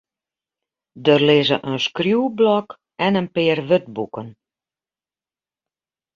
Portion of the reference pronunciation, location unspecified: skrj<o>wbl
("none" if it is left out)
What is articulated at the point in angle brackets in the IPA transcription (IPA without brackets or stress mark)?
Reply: u